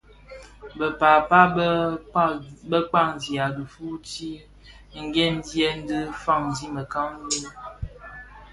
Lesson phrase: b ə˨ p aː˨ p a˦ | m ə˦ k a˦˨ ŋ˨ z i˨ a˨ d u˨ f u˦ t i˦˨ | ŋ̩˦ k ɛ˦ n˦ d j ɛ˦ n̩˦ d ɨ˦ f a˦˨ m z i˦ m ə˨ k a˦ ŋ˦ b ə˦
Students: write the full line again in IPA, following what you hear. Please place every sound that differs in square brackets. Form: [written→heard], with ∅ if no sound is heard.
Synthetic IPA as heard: b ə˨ p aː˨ p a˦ | [m→b] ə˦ [k→k͡p] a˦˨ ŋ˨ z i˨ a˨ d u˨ f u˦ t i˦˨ | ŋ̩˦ [k→ɡ] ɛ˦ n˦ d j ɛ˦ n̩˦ d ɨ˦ f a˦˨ [m→ŋ] z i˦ m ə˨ k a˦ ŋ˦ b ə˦